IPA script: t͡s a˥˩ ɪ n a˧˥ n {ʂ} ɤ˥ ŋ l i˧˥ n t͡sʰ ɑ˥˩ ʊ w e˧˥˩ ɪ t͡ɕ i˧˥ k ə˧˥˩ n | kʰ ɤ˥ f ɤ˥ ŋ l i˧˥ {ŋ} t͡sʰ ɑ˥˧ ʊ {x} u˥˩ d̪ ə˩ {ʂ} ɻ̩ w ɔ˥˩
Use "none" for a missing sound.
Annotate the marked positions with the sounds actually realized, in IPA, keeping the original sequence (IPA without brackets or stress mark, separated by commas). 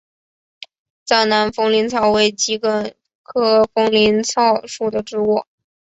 f, n, ʂ, ʈ͡ʂ